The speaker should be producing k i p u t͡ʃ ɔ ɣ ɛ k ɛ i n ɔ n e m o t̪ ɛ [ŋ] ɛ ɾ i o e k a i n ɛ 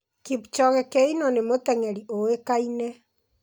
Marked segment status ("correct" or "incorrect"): correct